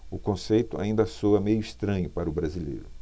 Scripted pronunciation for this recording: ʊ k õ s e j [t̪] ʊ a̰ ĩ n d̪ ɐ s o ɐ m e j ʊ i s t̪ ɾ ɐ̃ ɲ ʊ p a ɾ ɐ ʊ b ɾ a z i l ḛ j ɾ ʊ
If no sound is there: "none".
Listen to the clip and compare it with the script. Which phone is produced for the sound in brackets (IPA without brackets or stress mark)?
t̪